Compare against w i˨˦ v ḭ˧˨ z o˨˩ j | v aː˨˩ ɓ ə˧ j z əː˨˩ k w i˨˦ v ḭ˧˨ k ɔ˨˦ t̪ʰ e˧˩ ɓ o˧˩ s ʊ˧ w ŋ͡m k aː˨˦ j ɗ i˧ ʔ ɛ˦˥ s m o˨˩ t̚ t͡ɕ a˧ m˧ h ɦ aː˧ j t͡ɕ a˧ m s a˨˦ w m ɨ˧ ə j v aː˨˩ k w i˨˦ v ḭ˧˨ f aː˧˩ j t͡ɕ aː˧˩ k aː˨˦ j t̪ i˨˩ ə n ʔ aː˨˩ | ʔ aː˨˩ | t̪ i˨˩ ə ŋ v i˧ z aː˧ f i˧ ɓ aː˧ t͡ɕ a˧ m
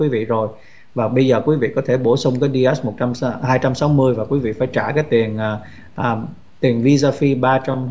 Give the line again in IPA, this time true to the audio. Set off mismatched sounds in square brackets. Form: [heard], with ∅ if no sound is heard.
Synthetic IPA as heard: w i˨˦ v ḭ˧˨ z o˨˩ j | v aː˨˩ ɓ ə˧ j z əː˨˩ k w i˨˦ v ḭ˧˨ k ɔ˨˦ t̪ʰ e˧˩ ɓ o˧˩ s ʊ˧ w ŋ͡m k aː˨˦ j ɗ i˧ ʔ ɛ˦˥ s m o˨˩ t̚ t͡ɕ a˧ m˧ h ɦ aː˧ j t͡ɕ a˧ m s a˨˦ w m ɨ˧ ə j v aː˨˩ k w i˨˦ v ḭ˧˨ f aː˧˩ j t͡ɕ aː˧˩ k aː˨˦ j t̪ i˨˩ ə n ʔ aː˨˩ | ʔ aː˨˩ | t̪ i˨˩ ə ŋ v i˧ z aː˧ f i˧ ɓ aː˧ t͡ɕ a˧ m

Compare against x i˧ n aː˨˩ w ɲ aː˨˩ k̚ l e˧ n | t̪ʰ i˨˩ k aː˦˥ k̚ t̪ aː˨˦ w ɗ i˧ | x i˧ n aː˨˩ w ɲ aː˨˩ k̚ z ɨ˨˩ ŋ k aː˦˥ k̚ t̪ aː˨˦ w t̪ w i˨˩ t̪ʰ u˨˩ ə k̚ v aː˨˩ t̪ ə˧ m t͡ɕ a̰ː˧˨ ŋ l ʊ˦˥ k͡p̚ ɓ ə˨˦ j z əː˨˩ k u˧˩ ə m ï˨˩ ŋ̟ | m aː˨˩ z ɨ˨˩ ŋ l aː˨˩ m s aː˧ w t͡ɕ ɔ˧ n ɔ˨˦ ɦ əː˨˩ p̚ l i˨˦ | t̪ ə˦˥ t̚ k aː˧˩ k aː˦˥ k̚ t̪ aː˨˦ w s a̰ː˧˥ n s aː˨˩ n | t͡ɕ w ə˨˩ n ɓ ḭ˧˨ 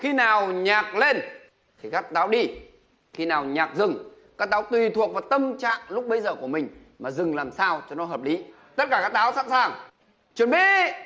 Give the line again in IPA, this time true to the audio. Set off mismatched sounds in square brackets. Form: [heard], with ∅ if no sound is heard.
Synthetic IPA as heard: x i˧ n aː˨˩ w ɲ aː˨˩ k̚ l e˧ n | t̪ʰ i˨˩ k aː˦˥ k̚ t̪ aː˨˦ w ɗ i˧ | x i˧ n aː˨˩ w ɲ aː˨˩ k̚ z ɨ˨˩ ŋ k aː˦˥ k̚ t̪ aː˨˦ w t̪ w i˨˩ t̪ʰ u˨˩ ə k̚ v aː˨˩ t̪ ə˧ m t͡ɕ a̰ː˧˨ ŋ l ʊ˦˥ k͡p̚ ɓ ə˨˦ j z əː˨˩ k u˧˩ ə m ï˨˩ ŋ̟ | m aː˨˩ z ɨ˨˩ ŋ l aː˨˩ m s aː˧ w t͡ɕ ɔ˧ n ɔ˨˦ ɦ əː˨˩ p̚ l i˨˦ | t̪ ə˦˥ t̚ k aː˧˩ k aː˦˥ k̚ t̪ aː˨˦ w s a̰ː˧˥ n s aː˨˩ [ŋ] | t͡ɕ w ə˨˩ n ɓ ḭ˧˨

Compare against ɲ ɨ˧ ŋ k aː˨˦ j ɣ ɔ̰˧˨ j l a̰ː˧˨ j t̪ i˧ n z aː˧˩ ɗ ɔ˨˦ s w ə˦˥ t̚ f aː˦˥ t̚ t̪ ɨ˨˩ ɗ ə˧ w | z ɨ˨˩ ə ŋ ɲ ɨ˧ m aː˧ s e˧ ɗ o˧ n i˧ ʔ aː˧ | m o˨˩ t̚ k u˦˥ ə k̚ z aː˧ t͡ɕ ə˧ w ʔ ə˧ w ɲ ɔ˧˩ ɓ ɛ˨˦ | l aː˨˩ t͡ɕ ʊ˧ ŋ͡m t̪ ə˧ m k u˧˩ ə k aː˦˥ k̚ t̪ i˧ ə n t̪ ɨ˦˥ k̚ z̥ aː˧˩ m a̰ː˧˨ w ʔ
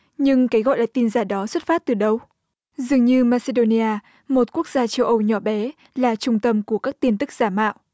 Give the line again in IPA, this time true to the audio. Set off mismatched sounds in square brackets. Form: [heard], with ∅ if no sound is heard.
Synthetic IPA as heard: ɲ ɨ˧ ŋ k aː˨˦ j ɣ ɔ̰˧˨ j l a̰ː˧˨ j t̪ i˧ n z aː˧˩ ɗ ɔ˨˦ s w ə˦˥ t̚ f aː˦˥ t̚ t̪ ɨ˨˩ ɗ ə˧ w | z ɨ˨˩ ə ŋ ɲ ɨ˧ m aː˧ s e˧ ɗ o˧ n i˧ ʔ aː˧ | m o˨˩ t̚ k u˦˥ ə k̚ z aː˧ t͡ɕ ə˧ w ʔ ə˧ w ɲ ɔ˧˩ ɓ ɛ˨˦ | l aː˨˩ t͡ɕ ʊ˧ ŋ͡m t̪ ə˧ m k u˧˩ ə k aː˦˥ k̚ t̪ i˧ ə n t̪ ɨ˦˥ k̚ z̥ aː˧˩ m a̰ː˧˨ w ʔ

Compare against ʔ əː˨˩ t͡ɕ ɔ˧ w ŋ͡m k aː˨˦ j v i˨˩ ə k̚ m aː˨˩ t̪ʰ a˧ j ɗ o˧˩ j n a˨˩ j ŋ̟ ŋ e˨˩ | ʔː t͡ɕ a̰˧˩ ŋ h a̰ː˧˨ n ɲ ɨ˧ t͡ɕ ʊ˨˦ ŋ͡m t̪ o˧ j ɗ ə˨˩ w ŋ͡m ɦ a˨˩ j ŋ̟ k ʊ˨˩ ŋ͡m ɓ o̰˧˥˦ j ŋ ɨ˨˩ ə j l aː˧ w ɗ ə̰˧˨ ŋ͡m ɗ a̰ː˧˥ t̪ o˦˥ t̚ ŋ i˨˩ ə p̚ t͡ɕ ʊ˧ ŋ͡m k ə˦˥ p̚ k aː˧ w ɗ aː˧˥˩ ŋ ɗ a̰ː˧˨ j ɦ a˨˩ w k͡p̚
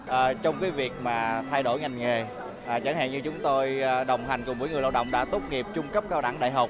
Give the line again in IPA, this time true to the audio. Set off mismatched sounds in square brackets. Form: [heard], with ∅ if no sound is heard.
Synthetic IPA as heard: ʔ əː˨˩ t͡ɕ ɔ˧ w ŋ͡m k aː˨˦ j v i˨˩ ə k̚ m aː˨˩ t̪ʰ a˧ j ɗ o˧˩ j [ŋ] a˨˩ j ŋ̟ ŋ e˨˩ | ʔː t͡ɕ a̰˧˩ ŋ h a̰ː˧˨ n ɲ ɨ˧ t͡ɕ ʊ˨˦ ŋ͡m t̪ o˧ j ɗ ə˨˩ w ŋ͡m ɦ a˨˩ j ŋ̟ k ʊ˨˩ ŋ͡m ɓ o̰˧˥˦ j ŋ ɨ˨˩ ə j l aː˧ w ɗ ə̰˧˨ ŋ͡m ɗ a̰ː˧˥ t̪ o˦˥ t̚ ŋ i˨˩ ə p̚ t͡ɕ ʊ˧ ŋ͡m k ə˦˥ p̚ k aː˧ w ɗ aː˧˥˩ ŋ ɗ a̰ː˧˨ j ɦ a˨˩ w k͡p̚

